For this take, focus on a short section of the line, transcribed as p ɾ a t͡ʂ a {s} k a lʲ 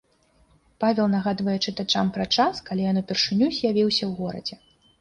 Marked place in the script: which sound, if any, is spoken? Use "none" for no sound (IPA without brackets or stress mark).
s